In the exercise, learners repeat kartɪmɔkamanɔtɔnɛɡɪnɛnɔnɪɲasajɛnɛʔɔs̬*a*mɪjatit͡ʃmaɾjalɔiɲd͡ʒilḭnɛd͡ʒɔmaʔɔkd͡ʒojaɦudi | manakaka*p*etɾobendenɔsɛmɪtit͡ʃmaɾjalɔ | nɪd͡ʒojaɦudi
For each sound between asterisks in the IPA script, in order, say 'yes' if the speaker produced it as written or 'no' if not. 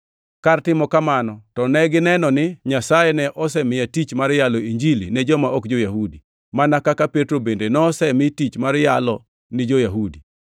no, yes

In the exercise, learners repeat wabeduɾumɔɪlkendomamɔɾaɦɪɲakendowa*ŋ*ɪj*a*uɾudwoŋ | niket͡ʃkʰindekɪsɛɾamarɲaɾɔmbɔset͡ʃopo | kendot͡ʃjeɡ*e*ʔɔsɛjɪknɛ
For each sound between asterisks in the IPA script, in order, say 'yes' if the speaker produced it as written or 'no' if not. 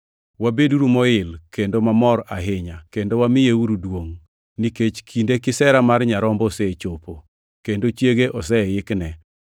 no, no, yes

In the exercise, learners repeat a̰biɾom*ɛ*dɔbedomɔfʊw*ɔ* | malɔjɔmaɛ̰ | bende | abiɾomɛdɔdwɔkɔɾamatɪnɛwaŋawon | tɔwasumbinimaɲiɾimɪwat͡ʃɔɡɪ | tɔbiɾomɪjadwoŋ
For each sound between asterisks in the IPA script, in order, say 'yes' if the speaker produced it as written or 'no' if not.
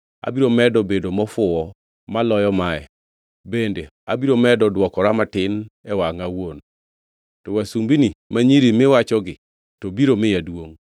yes, yes

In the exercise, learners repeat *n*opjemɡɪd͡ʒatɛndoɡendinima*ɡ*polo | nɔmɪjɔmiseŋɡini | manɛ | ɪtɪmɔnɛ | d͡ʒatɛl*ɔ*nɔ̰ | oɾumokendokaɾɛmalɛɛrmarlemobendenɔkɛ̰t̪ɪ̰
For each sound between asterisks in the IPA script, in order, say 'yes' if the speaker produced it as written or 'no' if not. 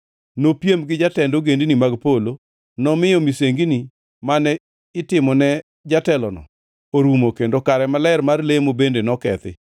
yes, yes, yes

